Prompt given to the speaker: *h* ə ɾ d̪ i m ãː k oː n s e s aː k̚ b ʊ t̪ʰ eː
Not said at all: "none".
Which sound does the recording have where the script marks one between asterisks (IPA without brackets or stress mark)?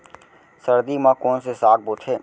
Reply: s